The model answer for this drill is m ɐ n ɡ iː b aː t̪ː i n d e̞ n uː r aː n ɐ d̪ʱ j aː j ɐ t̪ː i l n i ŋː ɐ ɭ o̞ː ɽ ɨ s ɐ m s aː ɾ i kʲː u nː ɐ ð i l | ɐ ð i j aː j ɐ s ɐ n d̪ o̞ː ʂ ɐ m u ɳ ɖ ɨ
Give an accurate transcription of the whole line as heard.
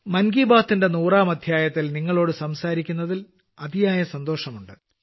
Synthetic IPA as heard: m ɐ n ɡ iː b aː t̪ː i n d e̞ n uː r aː m ɐ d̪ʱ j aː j ɐ t̪ː i l n i ŋː ɐ ɭ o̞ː ɽ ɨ s ɐ m s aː ɾ i kʲː u nː ɐ ð i l | ɐ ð i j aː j ɐ s ɐ n d̪ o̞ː ʂ ɐ m u ɳ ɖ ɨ